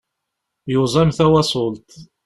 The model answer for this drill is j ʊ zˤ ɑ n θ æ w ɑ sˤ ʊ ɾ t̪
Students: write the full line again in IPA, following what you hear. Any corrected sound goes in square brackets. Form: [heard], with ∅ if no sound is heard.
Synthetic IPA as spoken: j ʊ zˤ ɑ [m] θ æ w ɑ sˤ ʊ [l] t̪